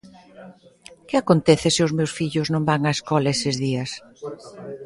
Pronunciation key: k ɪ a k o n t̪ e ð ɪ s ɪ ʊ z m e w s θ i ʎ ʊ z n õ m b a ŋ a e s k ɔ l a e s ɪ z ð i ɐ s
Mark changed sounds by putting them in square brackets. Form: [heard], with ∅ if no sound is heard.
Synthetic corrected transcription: k ɪ a k o n t̪ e [θ] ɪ s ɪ ʊ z m e w s [f] i ʎ ʊ z n õ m b a ŋ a e s k ɔ l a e s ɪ z ð i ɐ s